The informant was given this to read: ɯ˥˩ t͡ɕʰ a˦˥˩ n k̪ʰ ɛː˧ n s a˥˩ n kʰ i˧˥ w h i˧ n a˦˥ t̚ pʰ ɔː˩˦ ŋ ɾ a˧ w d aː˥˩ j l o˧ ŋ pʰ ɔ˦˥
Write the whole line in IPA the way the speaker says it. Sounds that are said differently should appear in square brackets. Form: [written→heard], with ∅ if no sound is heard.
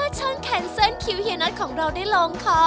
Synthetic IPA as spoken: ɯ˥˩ t͡ɕʰ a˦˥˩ n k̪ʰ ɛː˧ n s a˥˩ n kʰ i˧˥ w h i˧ n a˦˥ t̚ [pʰ→kʰ] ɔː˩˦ ŋ ɾ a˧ w d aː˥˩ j l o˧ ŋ [pʰ→kʰ] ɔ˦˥